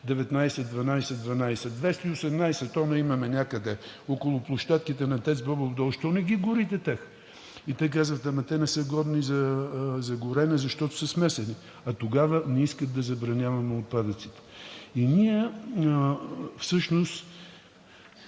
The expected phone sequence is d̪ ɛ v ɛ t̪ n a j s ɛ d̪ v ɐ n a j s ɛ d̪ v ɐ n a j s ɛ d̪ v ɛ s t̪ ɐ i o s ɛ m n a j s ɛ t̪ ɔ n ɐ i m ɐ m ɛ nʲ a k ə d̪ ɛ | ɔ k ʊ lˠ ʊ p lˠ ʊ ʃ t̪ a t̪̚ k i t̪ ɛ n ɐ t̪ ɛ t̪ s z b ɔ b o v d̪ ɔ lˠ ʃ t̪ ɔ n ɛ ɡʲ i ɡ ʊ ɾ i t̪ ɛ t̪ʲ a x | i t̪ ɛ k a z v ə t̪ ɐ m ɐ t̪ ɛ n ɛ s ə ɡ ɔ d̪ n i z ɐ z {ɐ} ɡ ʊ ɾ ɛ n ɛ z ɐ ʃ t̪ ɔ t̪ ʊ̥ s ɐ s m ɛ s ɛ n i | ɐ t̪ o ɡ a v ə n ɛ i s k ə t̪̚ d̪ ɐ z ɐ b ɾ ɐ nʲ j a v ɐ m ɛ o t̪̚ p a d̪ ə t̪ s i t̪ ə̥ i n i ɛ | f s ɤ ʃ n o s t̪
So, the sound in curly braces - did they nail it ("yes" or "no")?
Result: yes